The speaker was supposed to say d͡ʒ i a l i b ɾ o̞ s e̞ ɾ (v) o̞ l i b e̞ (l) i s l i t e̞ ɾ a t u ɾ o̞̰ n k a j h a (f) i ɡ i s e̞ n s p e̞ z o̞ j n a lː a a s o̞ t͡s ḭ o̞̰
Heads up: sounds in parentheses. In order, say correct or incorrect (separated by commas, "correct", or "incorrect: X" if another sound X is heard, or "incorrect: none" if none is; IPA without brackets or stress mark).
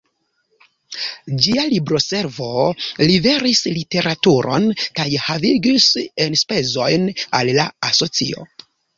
correct, incorrect: ɾ, incorrect: v